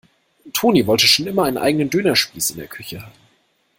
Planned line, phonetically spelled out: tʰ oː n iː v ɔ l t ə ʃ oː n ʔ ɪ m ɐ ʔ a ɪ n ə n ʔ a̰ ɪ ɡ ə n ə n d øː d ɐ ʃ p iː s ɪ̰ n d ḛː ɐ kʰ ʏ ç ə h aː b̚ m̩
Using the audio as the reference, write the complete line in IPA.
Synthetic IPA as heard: tʰ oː n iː v ɔ l t ə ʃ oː n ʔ ɪ m ɐ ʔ a ɪ n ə n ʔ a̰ ɪ ɡ ə n ə n d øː n ɐ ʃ p iː s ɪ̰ n d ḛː ɐ kʰ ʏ ç ə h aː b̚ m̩